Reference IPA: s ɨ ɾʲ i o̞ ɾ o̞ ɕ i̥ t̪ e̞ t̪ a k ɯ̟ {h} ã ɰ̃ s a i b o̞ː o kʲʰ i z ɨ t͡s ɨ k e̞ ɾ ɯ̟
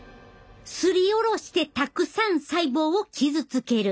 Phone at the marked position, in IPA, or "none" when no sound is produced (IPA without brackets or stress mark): s